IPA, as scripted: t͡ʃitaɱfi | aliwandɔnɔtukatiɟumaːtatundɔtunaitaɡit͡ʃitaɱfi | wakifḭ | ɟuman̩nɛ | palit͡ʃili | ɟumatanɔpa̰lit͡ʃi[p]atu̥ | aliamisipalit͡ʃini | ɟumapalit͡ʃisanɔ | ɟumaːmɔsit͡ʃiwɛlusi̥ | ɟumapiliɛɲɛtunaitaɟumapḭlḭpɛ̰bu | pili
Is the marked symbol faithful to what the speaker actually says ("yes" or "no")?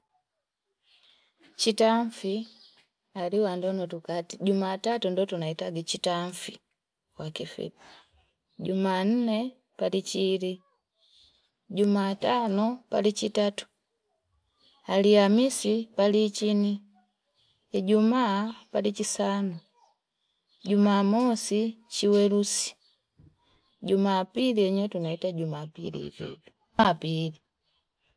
no